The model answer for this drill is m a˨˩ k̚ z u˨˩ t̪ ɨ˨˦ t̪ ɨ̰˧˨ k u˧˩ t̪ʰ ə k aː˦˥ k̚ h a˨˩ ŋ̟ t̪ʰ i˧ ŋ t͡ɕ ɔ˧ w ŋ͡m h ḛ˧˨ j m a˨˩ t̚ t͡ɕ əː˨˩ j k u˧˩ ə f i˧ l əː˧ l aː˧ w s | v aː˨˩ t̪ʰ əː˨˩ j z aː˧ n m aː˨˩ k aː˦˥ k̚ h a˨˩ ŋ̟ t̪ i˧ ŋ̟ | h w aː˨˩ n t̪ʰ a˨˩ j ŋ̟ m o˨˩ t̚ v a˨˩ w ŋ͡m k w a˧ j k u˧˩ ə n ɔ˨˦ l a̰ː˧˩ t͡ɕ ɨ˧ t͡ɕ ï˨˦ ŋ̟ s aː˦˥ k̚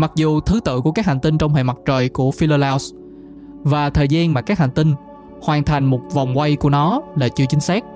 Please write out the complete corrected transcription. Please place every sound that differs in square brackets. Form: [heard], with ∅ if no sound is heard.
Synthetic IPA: m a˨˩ k̚ z u˨˩ [t̪ʰ] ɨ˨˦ t̪ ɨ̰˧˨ k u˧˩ [∅] ə k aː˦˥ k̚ h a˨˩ ŋ̟ [t̪] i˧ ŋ t͡ɕ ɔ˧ w ŋ͡m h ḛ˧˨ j m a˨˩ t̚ t͡ɕ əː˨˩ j k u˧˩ ə f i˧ l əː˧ l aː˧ w s | v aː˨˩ t̪ʰ əː˨˩ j z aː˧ n m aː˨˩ k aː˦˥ k̚ h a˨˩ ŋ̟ t̪ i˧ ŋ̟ | h w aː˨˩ n t̪ʰ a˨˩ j ŋ̟ m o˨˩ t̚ v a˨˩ w ŋ͡m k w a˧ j k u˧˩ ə n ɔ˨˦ l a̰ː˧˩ t͡ɕ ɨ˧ t͡ɕ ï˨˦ ŋ̟ s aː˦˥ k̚